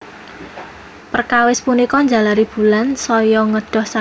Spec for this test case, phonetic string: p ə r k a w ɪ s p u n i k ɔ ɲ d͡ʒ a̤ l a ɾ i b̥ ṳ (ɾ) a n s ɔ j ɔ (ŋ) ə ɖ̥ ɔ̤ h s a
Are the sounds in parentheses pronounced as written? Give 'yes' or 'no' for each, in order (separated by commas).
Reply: no, yes